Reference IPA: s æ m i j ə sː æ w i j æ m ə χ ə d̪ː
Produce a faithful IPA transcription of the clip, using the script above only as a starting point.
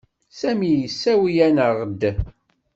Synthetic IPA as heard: s æ m i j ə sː æ w i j æ n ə ʁ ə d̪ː